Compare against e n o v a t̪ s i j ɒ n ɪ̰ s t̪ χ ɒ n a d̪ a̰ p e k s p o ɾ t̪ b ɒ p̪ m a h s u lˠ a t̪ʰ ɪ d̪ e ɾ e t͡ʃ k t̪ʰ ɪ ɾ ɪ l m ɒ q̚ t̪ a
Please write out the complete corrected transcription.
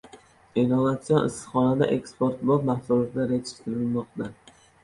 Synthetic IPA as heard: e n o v a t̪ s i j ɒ n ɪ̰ s t̪ χ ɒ n a d̪ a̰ ʔ e k s p o ɾ t̪ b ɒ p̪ m a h s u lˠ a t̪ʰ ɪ d̪ a ɾ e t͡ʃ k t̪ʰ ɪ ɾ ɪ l m ɒ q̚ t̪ a